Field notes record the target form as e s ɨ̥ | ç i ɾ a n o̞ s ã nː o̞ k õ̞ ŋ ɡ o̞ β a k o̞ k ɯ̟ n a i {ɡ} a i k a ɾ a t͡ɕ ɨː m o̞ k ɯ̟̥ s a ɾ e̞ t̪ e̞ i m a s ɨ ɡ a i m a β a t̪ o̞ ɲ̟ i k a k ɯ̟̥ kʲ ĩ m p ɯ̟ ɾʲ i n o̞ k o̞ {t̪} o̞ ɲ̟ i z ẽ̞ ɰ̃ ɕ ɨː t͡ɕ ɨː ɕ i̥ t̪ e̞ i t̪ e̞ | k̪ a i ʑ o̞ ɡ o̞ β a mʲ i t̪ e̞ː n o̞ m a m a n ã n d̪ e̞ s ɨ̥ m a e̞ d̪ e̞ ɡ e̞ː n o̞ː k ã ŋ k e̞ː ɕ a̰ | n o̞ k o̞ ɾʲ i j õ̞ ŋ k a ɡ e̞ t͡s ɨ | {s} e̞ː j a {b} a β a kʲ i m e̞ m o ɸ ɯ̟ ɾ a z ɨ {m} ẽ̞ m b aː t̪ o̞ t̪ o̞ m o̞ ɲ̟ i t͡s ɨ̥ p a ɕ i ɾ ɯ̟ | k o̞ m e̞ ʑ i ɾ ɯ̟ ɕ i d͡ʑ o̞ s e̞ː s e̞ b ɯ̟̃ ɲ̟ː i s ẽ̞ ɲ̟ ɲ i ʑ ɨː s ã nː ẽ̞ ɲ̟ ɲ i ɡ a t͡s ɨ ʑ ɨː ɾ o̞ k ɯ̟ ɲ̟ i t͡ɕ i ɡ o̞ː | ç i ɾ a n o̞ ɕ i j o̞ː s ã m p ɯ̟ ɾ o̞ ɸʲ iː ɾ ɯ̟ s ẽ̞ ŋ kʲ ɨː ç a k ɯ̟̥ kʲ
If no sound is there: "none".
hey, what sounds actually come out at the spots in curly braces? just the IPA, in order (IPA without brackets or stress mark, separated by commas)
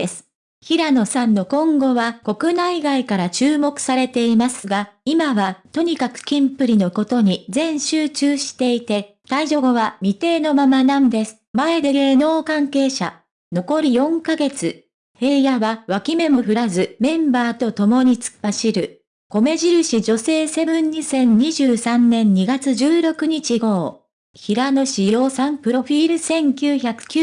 ɡ, t̪, h, β, m